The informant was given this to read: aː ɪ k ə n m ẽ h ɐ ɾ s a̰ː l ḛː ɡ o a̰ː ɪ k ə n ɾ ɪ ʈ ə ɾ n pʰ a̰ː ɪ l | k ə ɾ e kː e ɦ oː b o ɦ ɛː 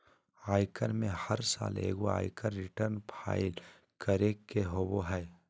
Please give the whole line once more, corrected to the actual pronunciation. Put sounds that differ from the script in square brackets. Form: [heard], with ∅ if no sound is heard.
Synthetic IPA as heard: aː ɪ k ə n m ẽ h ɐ ɾ s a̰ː l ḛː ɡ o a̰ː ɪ k ə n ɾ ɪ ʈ ə ɾ n pʰ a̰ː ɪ l | k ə ɾ e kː e ɦ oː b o ɦ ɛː

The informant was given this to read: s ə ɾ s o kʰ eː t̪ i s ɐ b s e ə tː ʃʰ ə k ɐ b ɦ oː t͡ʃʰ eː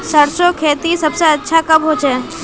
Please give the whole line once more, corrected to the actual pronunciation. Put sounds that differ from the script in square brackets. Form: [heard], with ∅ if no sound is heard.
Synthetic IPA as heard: s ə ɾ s o kʰ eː t̪ i s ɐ b s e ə tː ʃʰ [a] k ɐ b ɦ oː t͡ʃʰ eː

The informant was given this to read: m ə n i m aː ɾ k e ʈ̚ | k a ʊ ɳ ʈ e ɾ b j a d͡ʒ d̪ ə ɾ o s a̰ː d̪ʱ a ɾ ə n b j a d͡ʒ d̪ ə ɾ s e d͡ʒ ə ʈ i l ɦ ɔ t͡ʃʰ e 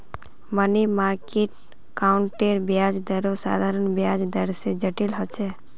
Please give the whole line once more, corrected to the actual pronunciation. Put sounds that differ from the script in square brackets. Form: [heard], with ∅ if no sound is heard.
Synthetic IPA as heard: m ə n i m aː ɾ k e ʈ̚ | k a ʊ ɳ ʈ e ɾ b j a d͡ʒ d̪ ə ɾ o s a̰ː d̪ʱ a ɾ ə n b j a d͡ʒ d̪ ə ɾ s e d͡ʒ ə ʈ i l ɦ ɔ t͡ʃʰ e

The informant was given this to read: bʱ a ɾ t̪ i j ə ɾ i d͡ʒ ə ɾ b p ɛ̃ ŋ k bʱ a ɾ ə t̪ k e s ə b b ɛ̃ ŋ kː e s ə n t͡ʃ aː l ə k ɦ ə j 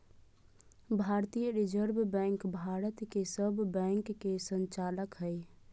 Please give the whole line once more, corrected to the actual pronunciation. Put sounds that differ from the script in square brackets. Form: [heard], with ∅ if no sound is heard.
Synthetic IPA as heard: bʱ a ɾ t̪ i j ə ɾ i d͡ʒ ə ɾ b [b] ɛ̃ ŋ k bʱ a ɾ ə t̪ k e s ə b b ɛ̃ ŋ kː e s ə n t͡ʃ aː l ə k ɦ ə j

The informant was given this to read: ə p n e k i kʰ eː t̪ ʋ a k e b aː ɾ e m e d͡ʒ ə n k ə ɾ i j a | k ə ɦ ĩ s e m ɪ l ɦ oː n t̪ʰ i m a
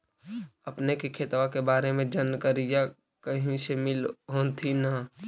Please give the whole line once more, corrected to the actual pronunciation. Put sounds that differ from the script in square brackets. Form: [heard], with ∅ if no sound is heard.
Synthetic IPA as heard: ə p n e k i kʰ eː t̪ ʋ a k e b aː ɾ e m [ẽ] d͡ʒ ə n k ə ɾ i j a | k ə ɦ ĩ s e m ɪ l ɦ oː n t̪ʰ i [n] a

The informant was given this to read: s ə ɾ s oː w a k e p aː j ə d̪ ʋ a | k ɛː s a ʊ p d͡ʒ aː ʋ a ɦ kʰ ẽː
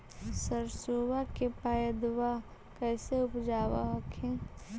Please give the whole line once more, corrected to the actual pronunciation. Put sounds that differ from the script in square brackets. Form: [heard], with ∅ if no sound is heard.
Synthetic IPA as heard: s ə ɾ s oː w a k e p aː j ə d̪ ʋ a | k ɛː s [e] ʊ p d͡ʒ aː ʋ a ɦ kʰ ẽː

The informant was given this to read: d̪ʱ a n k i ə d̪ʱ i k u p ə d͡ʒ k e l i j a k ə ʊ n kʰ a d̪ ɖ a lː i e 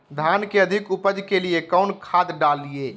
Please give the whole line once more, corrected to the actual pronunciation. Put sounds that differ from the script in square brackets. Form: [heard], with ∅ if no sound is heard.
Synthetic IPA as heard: d̪ʱ a n k [e] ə d̪ʱ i k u p ə d͡ʒ k e l i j [e] k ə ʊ n kʰ a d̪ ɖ a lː i e

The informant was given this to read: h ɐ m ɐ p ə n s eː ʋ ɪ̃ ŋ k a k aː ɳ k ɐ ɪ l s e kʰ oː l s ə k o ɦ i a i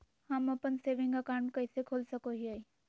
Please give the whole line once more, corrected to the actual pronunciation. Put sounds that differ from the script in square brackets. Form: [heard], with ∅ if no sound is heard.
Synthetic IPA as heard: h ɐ m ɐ p ə n s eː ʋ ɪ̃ ŋ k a k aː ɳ k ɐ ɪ [∅] s e kʰ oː l s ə k o ɦ i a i

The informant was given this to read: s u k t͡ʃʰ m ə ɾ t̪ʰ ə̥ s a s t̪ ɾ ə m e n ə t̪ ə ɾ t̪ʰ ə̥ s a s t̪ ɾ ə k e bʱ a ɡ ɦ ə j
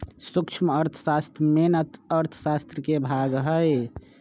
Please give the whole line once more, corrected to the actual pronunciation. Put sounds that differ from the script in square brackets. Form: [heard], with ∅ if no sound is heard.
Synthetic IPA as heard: s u k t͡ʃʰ m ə ɾ t̪ʰ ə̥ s a s t̪ ɾ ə m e n ə t̪ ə ɾ t̪ʰ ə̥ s a s t̪ ɾ ə k e bʱ a ɡ ɦ ə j

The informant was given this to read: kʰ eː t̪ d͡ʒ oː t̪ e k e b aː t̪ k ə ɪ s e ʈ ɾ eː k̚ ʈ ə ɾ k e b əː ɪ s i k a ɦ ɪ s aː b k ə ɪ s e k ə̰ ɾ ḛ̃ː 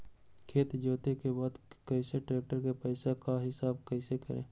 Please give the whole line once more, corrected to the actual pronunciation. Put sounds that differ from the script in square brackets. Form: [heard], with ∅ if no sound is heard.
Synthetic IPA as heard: kʰ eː t̪ d͡ʒ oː t̪ e k e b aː [d̪] k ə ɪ s e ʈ ɾ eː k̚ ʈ ə ɾ k e [p] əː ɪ s [a] k a ɦ ɪ s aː b k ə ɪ s e k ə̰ ɾ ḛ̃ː

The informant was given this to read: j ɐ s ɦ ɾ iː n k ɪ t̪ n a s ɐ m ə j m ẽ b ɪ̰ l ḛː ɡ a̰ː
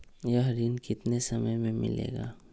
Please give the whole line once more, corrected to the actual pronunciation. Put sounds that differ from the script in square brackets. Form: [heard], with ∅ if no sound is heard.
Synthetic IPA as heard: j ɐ [∅] ɦ ɾ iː n k ɪ t̪ n [e] s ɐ m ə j m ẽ [m] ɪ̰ l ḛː ɡ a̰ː

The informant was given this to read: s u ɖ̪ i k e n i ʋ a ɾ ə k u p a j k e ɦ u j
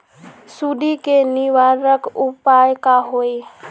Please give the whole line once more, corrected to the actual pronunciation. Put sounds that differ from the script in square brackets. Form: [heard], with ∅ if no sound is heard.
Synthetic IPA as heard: s u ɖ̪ i k e n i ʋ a ɾ ə k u p a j k [a] ɦ [o] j

